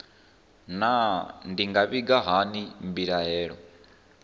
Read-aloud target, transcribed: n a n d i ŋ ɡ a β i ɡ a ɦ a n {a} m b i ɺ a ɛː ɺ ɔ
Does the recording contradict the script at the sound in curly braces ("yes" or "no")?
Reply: yes